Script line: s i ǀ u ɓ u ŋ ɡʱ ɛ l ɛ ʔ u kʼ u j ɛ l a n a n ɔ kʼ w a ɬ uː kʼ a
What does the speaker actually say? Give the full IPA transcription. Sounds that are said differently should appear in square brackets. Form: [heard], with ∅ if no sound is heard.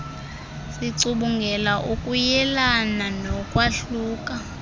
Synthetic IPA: s i ǀ u ɓ u ŋ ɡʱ ɛ l [a] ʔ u kʼ u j ɛ l a n a n ɔ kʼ w a ɬ uː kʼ a